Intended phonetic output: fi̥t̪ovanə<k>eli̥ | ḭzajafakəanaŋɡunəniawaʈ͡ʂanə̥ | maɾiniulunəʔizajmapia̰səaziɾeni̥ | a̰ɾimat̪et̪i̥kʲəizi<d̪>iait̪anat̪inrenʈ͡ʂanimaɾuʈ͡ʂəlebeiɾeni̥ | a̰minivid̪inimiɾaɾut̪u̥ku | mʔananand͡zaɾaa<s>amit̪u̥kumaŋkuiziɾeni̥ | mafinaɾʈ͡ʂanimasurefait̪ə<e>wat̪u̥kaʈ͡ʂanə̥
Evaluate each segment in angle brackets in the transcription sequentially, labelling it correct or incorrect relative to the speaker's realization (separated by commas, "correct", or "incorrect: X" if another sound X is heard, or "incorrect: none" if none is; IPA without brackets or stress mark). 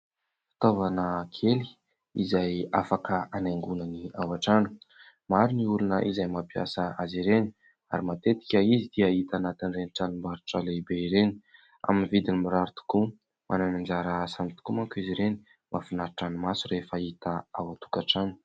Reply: incorrect: kʰ, correct, correct, incorrect: a